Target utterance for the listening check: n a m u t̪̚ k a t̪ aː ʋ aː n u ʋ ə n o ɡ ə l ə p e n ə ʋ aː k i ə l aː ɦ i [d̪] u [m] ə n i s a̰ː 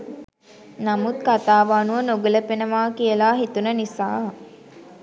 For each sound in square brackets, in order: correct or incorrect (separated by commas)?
incorrect, incorrect